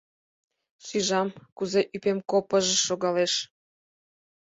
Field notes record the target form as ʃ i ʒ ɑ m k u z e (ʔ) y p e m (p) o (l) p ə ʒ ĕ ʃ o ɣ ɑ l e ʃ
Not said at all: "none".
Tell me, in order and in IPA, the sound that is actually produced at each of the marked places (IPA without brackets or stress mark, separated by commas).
ʔ, k, none